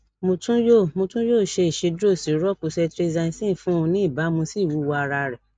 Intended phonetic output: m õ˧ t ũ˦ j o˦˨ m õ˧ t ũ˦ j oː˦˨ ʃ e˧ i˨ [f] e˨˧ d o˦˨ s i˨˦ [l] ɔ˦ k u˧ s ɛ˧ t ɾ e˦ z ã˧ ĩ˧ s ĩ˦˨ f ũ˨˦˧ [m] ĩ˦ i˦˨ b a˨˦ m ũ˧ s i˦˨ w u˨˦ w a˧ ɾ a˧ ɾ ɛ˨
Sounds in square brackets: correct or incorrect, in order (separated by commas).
incorrect, incorrect, incorrect